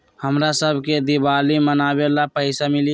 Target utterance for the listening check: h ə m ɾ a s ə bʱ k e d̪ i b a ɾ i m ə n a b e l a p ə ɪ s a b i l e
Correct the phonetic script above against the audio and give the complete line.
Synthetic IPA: h ə m ɾ a s ə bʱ k e d̪ i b a l i m ə n a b e l a p ə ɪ s a m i l i